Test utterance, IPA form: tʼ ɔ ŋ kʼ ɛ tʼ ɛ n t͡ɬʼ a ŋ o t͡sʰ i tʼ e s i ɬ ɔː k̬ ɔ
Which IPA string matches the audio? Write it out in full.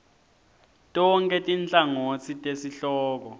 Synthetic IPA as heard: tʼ ɔ ŋ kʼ ɛ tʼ i n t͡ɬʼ a ŋ o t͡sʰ i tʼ e s i ɬ ɔː k̬ ɔ

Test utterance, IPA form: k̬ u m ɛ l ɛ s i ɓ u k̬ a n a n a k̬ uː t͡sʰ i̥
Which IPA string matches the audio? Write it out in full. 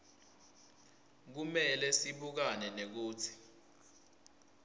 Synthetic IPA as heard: k̬ u m ɛ l ɛ s i ɓ u k̬ a n ɛ n e k̬ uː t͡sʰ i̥

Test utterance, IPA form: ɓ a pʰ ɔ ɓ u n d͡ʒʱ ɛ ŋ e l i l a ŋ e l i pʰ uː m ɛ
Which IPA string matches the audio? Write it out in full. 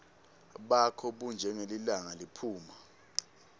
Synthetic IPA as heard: ɓ a kʰ ɔ ɓ u n d͡ʒʱ ɛ ŋ e l i l a ŋ a l i pʰ uː m a

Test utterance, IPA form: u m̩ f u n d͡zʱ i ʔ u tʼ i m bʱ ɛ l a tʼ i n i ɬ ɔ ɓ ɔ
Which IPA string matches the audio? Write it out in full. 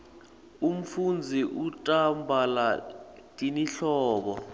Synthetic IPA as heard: u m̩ f u n d͡zʱ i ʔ u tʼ a m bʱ a l a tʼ i n i ɬ ɔː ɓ ɔ

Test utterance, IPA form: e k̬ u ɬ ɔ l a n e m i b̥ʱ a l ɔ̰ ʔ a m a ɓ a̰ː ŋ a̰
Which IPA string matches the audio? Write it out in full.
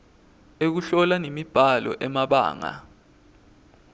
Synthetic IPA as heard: e k̬ u ɬ ɔ l a n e m i b̥ʱ a l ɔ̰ ʔ ɛ m a ɓ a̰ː ŋ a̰

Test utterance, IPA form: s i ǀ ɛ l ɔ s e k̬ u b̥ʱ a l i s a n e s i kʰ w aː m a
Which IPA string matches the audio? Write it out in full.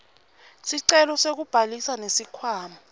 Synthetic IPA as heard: s i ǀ ɛ l ɔ s e k̬ u b̥ʱ a l i s a n e s i kʰ w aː m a

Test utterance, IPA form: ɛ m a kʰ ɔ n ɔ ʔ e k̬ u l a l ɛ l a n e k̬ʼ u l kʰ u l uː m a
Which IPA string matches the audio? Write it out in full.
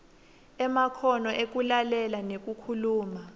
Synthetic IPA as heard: ɛ m a kʰ ɔ n ɔ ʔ e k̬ u l a l ɛ l a n e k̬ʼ u kʰ u l uː m a

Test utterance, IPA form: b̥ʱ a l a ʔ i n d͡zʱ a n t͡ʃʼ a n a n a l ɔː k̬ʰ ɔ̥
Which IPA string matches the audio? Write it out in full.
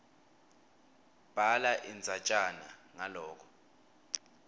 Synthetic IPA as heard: b̥ʱ a l a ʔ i n d͡zʱ a t͡ʃʼ a n a ŋ a l ɔː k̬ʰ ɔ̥

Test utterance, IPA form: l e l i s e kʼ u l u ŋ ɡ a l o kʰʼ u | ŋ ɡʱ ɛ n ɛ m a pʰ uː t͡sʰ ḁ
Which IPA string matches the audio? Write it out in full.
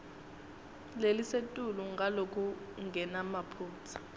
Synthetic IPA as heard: l e l i s e tʼ u l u ŋ ɡ a l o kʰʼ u | ŋ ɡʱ ɛ n a m a pʰ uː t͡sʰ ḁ

